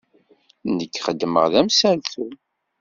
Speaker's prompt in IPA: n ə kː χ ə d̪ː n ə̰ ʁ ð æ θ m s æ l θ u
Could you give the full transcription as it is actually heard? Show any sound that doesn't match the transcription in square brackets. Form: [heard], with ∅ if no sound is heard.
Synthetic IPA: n ə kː χ ə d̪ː [m] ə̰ ʁ ð æ [∅] m s æ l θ u